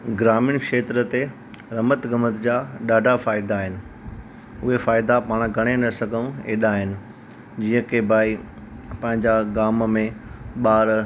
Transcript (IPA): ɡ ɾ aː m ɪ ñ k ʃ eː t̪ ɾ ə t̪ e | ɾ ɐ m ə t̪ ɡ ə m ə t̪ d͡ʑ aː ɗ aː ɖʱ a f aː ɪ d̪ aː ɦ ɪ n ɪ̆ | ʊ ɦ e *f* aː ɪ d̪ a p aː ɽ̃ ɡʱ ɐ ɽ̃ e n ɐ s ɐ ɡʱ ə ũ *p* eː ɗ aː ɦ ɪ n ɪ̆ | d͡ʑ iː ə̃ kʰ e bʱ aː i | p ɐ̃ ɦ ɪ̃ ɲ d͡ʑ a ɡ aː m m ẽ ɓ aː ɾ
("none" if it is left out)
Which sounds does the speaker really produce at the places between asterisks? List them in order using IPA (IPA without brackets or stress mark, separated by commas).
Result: f, none